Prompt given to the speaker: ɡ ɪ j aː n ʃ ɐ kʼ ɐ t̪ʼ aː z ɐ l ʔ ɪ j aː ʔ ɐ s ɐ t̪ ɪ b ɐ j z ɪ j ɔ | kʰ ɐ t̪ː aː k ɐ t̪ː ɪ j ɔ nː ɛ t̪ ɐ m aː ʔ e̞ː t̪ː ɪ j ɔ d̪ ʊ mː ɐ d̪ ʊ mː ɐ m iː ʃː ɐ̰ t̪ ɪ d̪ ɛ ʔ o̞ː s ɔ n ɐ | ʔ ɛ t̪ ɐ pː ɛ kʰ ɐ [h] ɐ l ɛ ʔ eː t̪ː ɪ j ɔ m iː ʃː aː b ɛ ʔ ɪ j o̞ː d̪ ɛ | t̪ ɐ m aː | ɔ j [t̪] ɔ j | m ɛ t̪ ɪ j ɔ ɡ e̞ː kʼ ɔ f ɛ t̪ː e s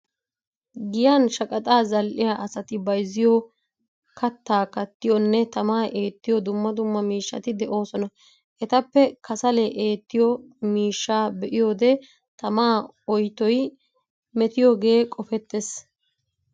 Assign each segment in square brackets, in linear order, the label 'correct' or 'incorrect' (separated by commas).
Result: incorrect, correct